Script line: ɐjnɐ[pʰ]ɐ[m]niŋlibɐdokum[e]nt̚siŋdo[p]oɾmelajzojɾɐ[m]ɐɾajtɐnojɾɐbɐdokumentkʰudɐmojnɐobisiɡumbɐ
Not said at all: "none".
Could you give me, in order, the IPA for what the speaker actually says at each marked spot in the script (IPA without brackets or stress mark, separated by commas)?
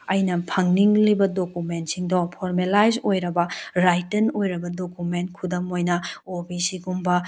pʰ, ŋ, e, pʰ, b